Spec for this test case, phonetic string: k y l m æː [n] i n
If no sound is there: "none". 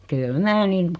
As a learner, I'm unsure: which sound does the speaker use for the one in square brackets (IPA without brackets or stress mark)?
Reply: n